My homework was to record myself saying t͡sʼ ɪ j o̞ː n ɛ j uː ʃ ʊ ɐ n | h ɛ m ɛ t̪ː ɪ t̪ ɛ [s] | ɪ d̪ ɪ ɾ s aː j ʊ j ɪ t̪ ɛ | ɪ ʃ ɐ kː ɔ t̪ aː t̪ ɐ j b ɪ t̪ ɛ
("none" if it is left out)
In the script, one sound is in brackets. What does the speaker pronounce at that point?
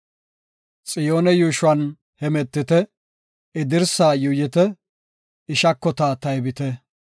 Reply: none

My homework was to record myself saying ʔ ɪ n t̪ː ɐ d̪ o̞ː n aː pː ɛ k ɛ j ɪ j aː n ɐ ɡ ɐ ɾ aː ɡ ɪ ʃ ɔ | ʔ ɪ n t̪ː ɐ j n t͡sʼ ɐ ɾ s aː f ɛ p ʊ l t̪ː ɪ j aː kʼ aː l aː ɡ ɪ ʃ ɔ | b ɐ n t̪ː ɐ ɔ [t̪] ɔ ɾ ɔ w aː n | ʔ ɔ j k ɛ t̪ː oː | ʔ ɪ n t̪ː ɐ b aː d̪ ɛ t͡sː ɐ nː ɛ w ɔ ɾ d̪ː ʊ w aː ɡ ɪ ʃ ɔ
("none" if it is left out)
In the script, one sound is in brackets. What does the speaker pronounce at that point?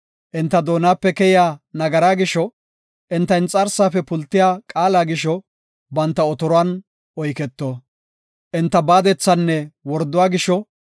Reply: t̪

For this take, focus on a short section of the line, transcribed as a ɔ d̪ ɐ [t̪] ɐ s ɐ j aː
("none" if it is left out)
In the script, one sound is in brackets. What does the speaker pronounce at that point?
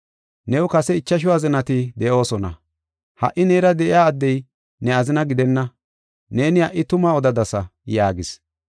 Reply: d̪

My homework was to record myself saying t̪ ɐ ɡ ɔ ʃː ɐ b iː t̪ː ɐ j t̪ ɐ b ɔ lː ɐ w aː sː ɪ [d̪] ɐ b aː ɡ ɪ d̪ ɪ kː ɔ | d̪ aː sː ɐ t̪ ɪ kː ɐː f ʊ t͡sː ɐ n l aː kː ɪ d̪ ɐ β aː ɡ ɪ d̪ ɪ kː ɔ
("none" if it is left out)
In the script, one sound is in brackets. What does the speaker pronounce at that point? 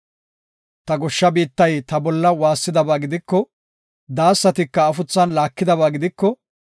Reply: d̪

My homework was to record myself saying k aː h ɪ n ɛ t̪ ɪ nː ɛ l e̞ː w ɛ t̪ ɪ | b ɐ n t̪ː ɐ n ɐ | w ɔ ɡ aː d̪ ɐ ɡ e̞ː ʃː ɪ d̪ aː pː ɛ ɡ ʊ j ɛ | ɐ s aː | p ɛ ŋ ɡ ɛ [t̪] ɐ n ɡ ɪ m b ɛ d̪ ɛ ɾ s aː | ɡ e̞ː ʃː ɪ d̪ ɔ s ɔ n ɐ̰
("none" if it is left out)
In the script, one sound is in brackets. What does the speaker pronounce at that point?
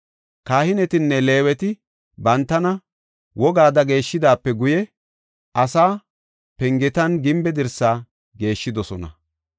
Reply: t̪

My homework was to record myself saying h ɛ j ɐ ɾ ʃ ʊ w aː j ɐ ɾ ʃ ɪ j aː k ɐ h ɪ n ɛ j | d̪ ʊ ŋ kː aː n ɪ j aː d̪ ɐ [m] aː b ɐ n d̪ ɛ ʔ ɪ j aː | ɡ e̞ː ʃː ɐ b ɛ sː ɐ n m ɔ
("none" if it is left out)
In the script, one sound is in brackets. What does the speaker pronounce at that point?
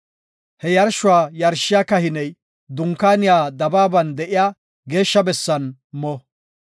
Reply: b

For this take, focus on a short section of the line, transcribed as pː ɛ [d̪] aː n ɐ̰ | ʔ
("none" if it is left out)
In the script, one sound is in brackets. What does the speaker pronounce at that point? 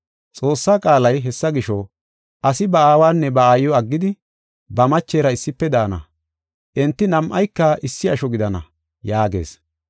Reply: d̪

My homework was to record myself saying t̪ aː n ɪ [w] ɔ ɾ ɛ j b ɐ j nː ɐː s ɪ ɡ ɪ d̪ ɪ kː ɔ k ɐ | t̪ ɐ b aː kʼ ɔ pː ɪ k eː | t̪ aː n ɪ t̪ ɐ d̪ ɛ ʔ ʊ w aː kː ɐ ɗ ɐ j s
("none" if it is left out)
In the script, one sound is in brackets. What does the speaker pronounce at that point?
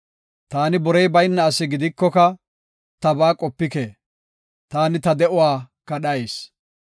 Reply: b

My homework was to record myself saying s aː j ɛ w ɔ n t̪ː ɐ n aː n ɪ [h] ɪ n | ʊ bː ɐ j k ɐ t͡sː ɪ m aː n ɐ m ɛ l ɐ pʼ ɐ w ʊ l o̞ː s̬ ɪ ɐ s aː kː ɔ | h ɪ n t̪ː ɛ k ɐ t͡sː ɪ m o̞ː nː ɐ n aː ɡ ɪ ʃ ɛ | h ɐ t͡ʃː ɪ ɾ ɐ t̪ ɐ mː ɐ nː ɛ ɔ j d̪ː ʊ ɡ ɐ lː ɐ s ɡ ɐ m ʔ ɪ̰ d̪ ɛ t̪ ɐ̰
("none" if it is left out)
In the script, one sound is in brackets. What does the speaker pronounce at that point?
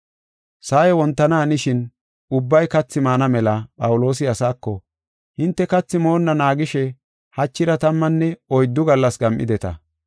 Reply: ʃ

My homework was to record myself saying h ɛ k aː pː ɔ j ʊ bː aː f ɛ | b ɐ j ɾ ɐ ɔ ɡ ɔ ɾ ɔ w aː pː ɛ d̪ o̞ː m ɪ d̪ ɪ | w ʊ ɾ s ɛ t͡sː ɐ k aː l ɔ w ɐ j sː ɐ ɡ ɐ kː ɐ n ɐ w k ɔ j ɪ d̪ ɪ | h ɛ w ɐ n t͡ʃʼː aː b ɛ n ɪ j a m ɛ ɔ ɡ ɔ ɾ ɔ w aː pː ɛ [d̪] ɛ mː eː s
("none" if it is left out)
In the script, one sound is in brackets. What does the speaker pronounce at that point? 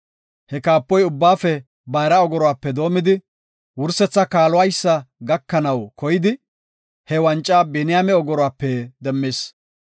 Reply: d̪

